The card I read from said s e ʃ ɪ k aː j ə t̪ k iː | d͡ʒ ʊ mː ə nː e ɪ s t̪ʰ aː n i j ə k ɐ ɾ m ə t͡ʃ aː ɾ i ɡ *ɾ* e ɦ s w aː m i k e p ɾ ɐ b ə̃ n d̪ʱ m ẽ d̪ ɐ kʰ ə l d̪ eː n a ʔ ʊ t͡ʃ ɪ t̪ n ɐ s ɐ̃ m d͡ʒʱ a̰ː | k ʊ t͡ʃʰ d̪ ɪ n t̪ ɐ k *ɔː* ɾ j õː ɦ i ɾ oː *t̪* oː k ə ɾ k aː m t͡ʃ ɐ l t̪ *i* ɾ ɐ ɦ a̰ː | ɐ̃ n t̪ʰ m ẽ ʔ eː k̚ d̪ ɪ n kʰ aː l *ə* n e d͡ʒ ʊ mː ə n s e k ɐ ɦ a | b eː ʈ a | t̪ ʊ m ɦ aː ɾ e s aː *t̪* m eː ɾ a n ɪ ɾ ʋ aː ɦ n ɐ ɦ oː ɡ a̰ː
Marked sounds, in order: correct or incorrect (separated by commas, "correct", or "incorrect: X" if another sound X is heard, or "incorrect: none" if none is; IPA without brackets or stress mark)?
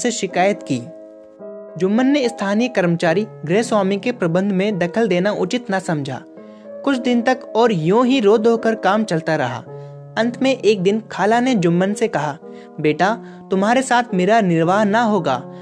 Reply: correct, correct, incorrect: d̪, incorrect: a, incorrect: a, incorrect: t̪ʰ